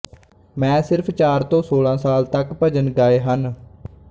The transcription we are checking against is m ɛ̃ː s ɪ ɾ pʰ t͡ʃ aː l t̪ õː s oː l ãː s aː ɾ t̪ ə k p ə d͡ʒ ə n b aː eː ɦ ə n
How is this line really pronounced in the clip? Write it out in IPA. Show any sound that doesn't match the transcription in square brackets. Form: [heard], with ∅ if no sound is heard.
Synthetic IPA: m ɛ̃ː s ɪ ɾ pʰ t͡ʃ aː [ɾ] t̪ õː s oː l ãː s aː [l] t̪ ə k p ə d͡ʒ ə n [ɡ] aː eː ɦ ə n